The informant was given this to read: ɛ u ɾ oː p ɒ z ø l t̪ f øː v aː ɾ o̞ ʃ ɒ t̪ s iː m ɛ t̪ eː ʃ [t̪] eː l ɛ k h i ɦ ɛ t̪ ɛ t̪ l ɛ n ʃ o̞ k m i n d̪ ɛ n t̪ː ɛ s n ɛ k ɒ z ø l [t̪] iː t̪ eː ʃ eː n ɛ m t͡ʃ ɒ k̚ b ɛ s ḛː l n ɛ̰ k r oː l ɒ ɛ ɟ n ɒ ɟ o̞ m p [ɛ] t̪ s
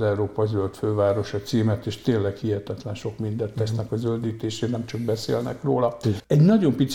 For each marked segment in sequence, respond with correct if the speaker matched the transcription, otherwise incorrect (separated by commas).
correct, incorrect, incorrect